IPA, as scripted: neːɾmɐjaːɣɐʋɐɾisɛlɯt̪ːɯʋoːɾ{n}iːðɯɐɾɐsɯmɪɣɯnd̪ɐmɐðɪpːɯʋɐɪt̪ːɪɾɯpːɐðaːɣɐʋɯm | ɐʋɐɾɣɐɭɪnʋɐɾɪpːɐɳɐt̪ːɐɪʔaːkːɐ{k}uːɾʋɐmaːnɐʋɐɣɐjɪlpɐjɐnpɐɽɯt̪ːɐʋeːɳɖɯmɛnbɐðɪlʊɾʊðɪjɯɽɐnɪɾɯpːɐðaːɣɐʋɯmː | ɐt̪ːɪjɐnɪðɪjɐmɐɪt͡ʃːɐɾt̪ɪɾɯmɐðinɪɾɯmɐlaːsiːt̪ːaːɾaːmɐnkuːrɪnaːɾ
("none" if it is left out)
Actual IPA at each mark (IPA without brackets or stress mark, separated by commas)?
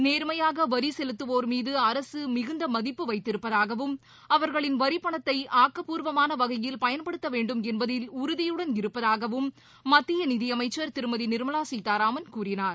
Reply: m, p